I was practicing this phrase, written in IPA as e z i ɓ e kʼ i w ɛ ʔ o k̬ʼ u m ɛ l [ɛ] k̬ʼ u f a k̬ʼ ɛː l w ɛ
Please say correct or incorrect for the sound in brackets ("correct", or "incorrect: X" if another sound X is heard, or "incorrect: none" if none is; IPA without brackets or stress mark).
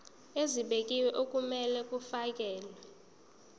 correct